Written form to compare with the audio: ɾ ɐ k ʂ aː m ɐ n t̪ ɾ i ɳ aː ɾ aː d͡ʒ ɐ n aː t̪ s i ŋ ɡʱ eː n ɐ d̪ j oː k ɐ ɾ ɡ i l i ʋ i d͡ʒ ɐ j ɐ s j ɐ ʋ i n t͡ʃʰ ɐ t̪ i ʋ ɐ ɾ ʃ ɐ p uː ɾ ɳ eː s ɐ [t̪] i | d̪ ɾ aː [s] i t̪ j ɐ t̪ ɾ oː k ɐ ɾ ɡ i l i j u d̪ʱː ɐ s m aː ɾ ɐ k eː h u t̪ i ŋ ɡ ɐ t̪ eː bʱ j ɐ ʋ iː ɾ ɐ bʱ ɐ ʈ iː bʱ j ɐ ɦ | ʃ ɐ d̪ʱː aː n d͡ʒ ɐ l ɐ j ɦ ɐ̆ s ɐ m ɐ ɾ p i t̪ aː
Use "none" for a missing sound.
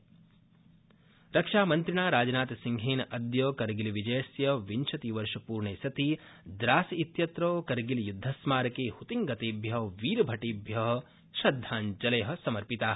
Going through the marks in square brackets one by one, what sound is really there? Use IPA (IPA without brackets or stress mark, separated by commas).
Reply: t̪, s